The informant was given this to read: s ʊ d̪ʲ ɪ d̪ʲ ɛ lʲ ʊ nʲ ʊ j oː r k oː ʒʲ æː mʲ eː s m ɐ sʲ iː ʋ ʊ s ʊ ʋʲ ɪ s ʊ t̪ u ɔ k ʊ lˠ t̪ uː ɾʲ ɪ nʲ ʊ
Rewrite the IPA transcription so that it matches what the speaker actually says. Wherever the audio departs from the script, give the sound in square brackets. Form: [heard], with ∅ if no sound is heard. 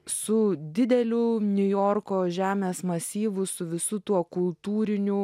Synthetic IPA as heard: s ʊ d̪ʲ ɪ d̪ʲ ɛ lʲ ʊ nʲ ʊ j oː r k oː ʒʲ æː mʲ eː s m ɐ sʲ iː ʋ ʊ s ʊ ʋʲ ɪ s ʊ t̪ u ɔ k ʊ lˠ t̪ uː ɾʲ ɪ nʲ ʊ